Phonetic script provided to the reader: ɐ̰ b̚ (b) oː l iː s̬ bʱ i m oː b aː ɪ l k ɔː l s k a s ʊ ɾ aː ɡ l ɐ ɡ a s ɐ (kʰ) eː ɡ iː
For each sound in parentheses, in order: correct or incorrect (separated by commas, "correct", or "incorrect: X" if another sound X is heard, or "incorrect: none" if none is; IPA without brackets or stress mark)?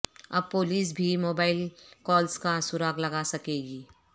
incorrect: p, incorrect: k